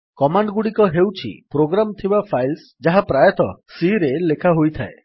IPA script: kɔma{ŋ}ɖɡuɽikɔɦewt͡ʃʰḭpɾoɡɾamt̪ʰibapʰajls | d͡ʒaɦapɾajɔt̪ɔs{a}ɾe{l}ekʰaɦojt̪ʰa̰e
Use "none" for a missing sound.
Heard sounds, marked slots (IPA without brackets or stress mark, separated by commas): ɳ, i, l